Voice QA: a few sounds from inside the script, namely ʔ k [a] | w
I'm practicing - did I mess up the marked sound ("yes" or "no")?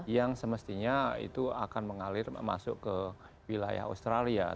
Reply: yes